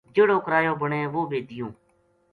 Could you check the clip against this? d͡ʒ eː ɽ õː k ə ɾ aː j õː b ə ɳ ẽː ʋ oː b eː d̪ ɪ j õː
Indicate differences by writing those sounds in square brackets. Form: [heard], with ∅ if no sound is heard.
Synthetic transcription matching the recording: d͡ʒ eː ɽ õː k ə ɾ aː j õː b ə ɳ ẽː ʋ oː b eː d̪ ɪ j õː